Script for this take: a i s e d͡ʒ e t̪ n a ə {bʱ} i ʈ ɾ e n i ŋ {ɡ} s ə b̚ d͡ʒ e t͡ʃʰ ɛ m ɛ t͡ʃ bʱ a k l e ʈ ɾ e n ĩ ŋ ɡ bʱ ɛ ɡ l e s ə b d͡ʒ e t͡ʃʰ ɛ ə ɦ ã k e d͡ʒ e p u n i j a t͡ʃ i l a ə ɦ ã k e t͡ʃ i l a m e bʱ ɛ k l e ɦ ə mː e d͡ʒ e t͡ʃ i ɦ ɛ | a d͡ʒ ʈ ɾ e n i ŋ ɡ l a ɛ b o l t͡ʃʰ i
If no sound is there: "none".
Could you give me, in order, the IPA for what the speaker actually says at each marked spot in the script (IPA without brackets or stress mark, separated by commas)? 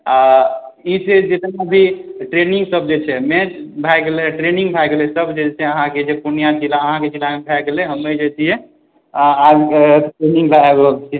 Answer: bʱ, ɡ